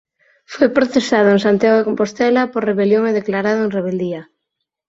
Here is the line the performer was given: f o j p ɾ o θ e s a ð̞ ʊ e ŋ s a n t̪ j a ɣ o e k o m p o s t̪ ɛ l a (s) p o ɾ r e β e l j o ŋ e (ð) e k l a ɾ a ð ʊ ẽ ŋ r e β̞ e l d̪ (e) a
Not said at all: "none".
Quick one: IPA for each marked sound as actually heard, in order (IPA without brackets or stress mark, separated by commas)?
none, ð, i